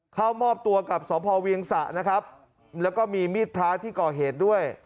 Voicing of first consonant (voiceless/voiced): voiceless